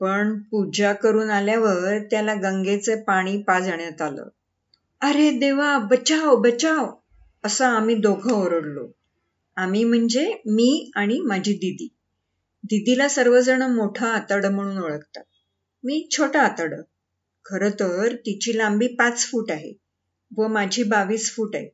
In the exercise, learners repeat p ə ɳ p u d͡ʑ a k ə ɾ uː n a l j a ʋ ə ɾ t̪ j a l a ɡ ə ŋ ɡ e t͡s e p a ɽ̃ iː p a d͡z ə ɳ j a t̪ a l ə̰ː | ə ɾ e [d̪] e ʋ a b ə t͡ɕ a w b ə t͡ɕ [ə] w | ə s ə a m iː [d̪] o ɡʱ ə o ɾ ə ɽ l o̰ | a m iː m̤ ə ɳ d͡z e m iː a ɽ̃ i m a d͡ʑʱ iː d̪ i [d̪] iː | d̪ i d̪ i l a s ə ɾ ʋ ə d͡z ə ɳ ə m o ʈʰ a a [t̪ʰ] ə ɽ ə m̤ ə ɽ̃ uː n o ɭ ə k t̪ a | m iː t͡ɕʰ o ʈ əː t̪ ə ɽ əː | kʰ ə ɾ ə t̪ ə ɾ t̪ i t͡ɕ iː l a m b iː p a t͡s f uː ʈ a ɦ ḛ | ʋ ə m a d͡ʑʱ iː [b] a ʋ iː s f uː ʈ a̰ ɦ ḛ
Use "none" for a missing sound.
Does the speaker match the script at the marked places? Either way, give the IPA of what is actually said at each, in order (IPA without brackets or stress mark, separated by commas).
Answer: d̪, a, d̪, d̪, t̪, b